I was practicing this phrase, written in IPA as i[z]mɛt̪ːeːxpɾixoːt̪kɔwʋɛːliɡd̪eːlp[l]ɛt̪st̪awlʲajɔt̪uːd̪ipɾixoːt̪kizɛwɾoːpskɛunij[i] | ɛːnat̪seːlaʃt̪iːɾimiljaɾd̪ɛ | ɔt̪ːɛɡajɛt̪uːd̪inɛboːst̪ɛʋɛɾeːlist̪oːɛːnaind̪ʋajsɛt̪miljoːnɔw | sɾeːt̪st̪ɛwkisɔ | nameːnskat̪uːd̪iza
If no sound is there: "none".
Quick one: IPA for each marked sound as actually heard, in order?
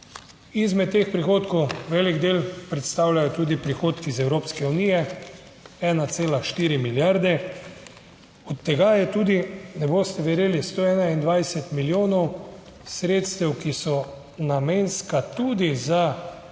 z, ɾ, ɛ

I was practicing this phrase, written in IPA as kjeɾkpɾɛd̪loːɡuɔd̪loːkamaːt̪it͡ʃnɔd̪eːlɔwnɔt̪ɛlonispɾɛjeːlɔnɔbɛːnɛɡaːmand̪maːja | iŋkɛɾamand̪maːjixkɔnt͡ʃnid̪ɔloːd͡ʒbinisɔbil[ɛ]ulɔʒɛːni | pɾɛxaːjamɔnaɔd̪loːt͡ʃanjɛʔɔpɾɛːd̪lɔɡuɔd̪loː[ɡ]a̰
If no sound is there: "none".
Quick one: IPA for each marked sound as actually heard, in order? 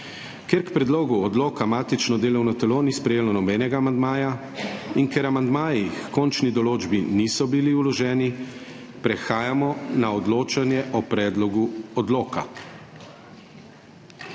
i, k

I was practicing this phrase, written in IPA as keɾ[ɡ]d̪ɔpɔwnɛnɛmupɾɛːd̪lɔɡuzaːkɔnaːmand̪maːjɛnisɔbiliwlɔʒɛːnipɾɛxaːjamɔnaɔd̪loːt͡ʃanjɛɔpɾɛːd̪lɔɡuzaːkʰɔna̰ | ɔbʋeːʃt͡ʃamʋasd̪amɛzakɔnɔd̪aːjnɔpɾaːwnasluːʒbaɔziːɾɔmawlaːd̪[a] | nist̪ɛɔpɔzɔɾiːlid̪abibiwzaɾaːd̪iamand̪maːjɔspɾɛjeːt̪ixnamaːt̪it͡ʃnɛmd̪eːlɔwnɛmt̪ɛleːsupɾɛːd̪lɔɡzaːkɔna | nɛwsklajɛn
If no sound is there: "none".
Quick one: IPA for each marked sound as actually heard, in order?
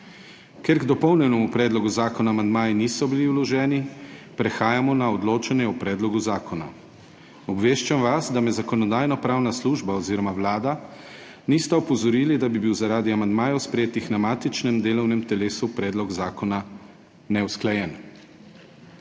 ɡ, a

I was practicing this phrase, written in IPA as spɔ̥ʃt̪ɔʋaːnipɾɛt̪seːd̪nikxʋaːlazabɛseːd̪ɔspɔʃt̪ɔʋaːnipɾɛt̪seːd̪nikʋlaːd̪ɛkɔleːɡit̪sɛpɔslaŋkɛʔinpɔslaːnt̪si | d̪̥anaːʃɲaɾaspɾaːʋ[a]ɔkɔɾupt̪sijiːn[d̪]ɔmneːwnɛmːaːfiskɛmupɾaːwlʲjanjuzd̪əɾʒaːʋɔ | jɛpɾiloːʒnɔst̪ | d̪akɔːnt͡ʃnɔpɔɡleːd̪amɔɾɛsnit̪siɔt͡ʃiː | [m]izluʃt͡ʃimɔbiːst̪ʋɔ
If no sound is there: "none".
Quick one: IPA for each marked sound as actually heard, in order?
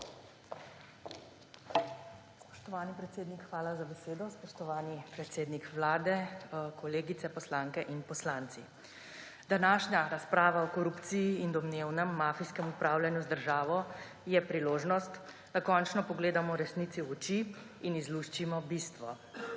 a, d̪, n

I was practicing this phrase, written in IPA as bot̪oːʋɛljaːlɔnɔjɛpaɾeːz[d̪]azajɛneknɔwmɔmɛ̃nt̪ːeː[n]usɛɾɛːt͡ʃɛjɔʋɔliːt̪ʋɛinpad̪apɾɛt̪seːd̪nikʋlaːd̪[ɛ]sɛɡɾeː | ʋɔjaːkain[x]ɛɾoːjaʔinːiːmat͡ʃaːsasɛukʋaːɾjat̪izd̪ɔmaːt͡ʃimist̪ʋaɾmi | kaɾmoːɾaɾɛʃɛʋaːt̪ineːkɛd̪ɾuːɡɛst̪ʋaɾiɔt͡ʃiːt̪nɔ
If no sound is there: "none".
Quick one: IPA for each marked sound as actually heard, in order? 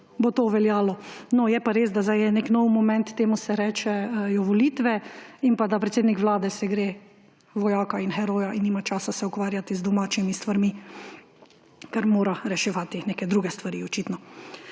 d̪, m, ɛ, x

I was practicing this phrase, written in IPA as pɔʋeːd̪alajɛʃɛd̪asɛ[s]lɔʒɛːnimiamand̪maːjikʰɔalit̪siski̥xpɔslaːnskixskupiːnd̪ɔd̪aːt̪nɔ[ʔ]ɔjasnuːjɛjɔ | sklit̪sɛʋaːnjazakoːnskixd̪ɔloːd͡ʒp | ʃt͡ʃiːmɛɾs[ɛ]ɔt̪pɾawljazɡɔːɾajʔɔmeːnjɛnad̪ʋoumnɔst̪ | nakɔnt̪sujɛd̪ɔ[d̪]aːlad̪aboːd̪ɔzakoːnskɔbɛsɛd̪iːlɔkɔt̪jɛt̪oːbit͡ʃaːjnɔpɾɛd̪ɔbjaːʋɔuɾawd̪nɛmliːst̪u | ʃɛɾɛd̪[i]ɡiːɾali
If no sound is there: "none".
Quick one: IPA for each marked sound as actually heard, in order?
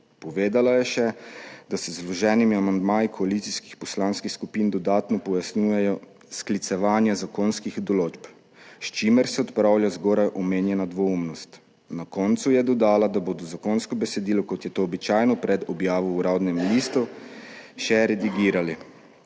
z, p, ɛ, d̪, i

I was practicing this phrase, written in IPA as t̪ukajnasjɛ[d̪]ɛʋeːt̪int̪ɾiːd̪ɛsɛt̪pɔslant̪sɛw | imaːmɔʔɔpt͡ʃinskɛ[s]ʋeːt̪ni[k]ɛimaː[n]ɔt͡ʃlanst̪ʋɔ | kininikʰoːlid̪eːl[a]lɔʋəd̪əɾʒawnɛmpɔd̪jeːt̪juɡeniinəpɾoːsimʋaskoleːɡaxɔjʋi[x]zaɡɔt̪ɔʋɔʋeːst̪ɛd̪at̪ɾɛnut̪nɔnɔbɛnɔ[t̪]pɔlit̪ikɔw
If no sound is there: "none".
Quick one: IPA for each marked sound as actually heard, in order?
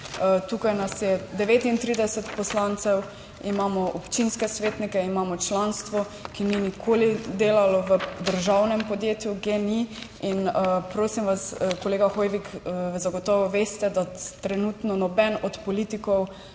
d̪, s, k, m, a, k, t̪

